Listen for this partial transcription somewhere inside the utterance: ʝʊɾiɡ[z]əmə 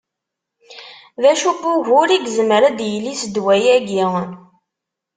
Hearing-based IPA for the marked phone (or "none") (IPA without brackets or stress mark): z